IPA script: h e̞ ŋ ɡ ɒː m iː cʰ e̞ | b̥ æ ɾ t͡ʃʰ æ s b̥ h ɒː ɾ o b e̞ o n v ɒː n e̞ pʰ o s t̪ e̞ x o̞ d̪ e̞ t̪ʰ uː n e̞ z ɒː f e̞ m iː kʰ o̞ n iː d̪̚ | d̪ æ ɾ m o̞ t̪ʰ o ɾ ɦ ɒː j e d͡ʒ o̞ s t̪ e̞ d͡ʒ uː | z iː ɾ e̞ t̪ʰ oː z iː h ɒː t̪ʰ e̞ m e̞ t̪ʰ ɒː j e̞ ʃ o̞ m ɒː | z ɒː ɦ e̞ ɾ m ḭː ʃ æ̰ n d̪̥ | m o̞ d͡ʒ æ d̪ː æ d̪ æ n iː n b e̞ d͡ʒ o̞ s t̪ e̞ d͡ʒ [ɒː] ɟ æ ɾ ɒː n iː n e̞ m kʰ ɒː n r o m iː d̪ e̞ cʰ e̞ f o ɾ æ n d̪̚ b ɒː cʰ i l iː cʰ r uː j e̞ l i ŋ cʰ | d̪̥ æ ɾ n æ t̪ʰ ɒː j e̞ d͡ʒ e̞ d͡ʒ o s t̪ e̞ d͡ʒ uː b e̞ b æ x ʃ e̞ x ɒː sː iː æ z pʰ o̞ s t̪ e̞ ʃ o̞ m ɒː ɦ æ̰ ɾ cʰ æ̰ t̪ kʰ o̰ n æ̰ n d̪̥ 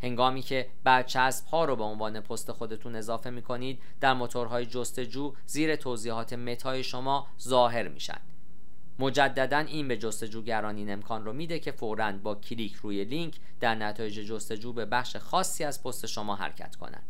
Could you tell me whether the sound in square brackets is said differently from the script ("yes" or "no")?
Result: yes